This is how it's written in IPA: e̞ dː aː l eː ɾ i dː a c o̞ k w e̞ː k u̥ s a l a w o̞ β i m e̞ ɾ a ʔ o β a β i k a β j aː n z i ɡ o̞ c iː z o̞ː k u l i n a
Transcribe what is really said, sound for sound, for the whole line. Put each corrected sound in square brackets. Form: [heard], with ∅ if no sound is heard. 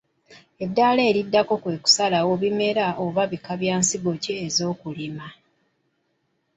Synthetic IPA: e̞ dː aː l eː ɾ i dː a [k] o̞ k w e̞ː k u̥ s a l a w o̞ β i m e̞ ɾ a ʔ o β a β i k a β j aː n [s] i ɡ o̞ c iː z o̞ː k u l i [m] a